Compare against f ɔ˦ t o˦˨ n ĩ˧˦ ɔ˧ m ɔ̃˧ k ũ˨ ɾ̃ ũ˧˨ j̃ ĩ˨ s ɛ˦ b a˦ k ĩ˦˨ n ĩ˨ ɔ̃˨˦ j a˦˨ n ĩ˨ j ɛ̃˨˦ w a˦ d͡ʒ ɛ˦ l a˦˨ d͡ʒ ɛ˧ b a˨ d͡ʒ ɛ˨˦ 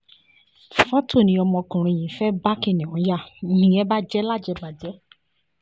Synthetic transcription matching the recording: f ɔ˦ t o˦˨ n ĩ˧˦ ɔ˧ m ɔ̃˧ k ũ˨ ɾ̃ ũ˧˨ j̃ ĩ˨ f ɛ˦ b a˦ k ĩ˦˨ n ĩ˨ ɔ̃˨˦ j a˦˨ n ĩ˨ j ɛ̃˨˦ b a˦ d͡ʒ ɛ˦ l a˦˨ d͡ʒ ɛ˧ b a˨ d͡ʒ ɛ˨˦